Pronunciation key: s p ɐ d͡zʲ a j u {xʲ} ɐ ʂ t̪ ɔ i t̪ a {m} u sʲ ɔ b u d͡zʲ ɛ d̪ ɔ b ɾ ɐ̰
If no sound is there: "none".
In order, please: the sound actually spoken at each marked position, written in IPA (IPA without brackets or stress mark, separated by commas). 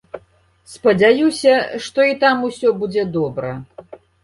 sʲ, m